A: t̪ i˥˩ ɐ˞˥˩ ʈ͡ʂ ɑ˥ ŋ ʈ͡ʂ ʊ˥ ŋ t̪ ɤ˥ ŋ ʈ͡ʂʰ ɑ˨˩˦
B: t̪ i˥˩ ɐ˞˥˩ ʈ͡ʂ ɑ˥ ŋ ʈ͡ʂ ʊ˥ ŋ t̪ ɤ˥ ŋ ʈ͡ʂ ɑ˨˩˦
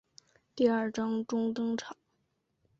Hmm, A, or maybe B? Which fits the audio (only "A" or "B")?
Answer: A